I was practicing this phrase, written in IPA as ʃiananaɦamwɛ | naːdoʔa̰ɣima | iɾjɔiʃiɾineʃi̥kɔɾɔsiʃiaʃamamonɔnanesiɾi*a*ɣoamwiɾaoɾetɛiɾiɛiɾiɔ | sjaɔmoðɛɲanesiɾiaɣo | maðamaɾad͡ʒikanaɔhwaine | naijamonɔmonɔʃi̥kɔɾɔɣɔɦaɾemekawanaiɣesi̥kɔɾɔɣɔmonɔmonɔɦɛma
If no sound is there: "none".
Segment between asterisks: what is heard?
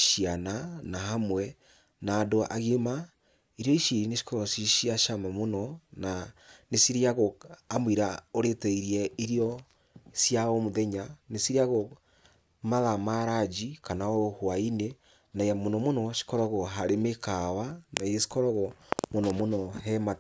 a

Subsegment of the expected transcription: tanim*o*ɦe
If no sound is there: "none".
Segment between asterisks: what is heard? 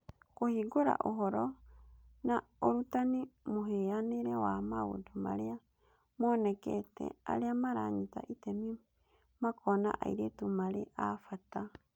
o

